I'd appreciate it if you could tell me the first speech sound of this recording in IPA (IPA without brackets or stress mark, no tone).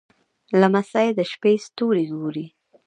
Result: l